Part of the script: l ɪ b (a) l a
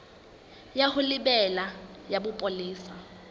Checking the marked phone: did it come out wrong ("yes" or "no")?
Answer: yes